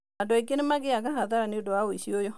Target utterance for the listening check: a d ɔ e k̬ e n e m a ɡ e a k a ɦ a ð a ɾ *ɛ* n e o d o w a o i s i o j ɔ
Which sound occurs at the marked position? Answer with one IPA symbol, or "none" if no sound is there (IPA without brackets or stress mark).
a